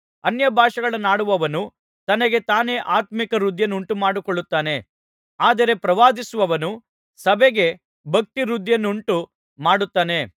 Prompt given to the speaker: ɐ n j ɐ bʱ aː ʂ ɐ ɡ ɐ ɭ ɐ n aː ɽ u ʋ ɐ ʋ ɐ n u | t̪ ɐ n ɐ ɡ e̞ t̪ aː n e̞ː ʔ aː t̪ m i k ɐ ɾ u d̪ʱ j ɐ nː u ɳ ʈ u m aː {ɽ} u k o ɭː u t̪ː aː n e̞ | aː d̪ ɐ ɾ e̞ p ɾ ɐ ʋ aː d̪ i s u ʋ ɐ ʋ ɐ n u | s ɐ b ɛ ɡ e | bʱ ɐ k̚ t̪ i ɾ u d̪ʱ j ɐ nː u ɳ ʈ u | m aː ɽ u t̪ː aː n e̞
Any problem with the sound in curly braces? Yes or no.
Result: no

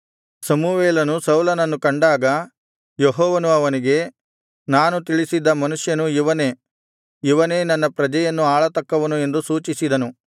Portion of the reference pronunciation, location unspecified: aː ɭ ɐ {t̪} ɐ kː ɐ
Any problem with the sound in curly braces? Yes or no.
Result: no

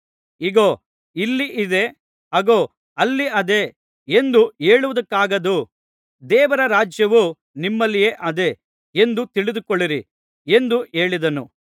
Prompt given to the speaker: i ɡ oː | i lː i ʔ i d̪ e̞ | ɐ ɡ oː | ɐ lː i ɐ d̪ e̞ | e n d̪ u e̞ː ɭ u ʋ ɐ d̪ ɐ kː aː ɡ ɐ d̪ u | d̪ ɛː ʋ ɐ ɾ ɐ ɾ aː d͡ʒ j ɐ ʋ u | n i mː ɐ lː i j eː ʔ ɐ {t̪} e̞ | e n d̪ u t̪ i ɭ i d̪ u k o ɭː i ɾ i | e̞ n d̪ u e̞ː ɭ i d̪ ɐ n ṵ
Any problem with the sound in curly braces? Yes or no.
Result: yes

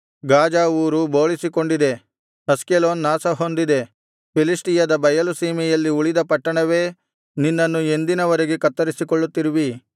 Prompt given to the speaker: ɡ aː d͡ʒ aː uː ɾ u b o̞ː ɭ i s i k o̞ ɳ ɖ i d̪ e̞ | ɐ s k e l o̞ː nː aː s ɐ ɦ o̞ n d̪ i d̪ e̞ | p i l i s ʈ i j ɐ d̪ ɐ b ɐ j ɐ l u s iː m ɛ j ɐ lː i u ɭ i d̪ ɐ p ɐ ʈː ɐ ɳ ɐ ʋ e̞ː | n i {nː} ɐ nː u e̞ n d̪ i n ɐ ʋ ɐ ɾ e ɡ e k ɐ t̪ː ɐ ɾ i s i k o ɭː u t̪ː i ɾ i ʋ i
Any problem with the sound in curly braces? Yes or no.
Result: no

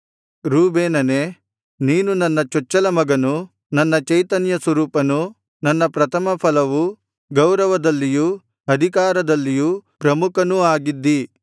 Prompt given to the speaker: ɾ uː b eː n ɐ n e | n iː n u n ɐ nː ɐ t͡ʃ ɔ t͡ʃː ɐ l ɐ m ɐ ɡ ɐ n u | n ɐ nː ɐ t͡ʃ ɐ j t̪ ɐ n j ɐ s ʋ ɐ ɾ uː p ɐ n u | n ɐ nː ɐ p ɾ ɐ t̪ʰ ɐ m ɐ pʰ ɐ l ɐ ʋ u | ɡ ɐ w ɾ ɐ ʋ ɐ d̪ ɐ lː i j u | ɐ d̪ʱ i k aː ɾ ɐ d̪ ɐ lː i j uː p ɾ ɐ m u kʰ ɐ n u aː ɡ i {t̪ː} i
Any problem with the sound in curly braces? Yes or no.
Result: yes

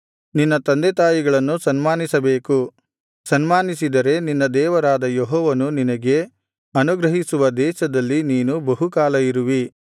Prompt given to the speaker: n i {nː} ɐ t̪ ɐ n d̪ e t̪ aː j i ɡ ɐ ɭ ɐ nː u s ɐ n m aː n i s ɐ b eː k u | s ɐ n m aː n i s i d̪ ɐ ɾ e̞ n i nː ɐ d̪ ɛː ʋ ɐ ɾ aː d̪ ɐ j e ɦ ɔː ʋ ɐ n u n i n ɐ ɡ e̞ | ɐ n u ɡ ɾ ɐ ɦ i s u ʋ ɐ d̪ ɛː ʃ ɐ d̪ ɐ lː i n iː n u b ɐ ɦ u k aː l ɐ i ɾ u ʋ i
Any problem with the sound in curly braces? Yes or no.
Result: no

